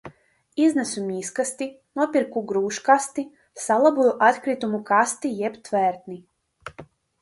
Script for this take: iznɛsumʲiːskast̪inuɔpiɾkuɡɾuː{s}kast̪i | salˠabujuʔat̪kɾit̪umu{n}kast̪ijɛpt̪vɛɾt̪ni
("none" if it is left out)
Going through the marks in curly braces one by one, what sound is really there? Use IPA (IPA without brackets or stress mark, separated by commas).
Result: ʃ, none